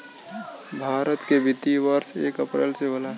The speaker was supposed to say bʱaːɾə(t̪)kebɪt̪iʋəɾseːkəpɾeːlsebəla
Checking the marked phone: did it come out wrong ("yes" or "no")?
no